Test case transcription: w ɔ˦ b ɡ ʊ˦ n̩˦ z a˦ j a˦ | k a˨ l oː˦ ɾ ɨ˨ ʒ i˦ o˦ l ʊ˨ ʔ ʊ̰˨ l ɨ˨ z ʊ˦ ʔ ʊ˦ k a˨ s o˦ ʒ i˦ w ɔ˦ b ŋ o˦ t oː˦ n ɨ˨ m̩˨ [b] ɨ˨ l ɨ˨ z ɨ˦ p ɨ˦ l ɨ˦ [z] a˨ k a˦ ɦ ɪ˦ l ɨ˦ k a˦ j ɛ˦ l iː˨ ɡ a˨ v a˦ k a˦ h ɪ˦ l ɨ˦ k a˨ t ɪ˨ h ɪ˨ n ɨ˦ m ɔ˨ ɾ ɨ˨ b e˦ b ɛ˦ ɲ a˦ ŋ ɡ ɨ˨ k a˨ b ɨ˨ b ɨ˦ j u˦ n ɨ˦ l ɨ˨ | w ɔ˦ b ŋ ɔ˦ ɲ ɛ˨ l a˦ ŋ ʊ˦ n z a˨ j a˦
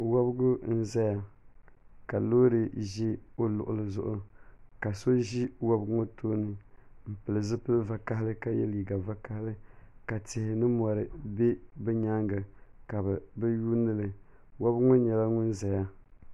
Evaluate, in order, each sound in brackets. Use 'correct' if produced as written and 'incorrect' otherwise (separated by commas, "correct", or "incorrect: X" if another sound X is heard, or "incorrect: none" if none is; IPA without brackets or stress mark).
incorrect: p, incorrect: v